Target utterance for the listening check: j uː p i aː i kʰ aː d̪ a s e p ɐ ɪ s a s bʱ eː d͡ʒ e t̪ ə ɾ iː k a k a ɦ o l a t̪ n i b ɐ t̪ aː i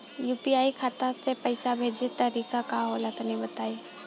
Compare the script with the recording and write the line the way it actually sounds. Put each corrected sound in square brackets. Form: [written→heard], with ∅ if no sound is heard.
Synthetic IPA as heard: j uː p i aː i kʰ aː [d̪→t̪] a s e p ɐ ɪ s a [s→∅] bʱ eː d͡ʒ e t̪ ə ɾ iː k a k a ɦ o l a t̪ n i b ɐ t̪ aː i